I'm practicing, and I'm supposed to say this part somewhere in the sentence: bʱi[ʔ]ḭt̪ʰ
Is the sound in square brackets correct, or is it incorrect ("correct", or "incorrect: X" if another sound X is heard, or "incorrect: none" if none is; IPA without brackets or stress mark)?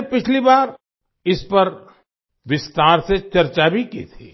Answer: incorrect: k